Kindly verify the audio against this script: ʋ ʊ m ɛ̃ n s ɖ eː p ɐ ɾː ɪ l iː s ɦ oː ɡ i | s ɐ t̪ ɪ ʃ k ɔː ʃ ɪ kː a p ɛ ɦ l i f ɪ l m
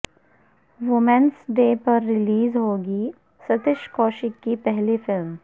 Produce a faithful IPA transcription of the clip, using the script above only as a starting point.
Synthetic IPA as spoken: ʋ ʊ m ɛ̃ n s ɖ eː p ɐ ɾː ɪ l iː z ɦ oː ɡ i | s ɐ t̪ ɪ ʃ k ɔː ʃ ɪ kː i p ɛ ɦ l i f ɪ l m